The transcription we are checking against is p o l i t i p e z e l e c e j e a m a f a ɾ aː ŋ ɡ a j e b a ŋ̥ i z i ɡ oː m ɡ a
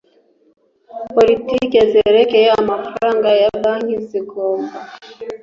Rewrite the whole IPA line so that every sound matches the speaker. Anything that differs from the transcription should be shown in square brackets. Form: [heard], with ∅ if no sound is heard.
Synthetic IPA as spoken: p o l i t i [k] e z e [ɾ] e [k] e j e a m a f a ɾ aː ŋ ɡ a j [a] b a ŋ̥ i z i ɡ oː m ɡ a